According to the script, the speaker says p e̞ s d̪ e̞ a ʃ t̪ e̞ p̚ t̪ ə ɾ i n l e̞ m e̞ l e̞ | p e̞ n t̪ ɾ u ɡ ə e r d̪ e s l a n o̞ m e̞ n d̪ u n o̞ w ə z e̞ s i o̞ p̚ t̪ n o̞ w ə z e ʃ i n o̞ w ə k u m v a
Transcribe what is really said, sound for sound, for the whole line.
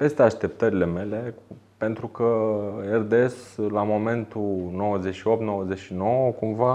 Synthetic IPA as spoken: p e̞ s t̪ e̞ a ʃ t̪ e̞ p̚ t̪ ə ɾ i l e̞ m e̞ l e̞ | p e̞ n t̪ ɾ u k ə e r d̪ e s l a m o̞ m e̞ n t̪ u n o̞ w ə z e̞ ʃ i o̞ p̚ t̪ n o̞ w ə z e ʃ i n o̞ w ə k u m v a